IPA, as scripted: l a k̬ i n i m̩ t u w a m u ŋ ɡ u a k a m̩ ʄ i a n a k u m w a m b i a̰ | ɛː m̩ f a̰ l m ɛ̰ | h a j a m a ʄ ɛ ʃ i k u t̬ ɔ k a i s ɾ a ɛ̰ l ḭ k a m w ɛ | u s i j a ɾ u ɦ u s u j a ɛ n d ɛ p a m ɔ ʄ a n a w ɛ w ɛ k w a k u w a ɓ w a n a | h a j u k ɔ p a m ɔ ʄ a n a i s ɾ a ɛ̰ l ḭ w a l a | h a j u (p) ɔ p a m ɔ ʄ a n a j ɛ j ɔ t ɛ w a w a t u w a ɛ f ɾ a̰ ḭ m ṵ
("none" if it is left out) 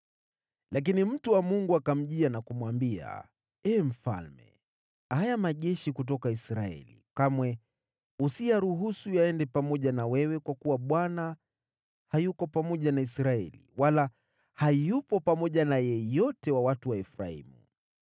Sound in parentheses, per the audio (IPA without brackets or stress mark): p